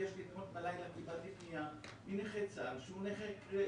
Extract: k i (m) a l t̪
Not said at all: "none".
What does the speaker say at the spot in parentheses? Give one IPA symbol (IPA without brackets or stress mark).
b